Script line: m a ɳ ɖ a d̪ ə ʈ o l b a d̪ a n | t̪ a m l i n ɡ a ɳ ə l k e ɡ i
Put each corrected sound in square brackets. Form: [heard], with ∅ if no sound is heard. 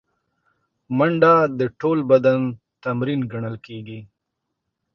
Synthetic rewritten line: m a ɳ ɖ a d̪ ə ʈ o l b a d̪ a n | t̪ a m [ɾ] i n ɡ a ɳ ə l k e ɡ i